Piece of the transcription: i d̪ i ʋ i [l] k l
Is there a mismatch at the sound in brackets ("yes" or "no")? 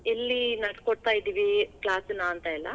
yes